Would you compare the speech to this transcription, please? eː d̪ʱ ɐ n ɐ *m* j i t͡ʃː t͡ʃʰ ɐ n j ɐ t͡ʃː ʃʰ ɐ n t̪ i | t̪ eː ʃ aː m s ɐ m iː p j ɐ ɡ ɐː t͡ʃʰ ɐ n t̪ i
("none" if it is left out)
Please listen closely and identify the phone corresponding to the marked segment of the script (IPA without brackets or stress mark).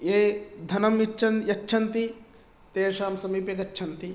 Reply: m